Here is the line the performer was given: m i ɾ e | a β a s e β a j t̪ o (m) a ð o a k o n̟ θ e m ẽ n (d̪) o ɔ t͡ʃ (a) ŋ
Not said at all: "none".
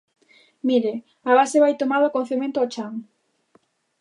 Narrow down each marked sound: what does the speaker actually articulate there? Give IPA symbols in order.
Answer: m, t̪, a

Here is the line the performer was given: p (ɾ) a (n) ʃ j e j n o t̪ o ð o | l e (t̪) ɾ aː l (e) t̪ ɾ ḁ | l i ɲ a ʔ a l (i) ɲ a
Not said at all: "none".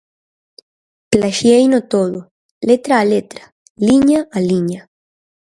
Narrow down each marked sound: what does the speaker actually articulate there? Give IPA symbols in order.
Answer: l, none, t̪, e, i

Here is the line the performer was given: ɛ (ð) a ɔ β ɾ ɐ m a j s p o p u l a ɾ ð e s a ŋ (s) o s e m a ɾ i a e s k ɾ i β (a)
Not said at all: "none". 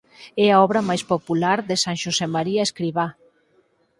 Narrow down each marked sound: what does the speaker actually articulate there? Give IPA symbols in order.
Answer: none, ʃ, a

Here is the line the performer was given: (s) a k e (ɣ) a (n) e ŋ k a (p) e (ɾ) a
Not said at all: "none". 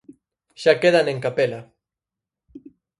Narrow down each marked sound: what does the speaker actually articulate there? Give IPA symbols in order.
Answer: ʃ, ð, n, p, l

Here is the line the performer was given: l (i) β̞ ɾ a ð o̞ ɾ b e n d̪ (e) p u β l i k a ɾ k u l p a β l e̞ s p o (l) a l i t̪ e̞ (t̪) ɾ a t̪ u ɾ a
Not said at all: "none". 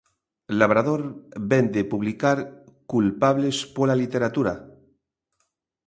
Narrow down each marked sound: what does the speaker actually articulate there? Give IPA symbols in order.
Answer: a, e, l, none

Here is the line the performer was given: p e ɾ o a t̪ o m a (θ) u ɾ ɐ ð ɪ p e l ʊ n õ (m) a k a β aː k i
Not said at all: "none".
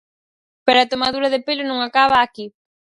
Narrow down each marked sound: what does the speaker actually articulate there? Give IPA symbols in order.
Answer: ð, ŋ

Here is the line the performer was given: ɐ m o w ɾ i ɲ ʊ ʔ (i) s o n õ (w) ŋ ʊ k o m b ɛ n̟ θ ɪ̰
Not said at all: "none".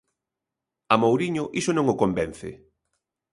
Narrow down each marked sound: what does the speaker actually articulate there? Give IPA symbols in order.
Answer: i, none

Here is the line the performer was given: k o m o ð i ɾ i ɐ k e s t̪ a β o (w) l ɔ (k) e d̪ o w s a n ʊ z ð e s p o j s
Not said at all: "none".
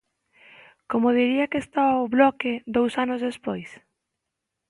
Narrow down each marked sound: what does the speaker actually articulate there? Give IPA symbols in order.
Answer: β, k

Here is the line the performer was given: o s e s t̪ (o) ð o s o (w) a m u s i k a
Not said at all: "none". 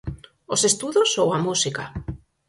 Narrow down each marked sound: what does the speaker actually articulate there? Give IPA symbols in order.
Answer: u, w

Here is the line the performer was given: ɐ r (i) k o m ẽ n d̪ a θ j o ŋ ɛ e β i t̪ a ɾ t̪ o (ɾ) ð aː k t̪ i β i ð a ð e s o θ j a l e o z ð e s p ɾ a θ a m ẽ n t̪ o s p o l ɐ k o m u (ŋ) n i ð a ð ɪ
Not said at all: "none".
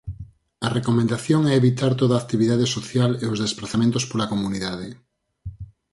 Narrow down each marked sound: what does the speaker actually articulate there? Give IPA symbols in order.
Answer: e, none, none

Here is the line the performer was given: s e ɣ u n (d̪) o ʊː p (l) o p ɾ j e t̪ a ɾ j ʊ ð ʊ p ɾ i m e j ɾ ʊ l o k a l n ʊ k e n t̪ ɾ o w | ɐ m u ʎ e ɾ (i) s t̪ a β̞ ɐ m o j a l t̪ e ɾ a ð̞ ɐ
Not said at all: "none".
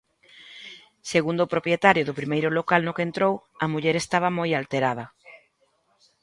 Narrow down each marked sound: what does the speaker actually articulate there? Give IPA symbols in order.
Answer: d̪, ɾ, e

